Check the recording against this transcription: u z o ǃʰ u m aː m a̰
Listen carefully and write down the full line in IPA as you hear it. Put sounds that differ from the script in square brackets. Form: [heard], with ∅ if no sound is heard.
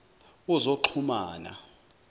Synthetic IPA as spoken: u z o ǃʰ u m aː [n] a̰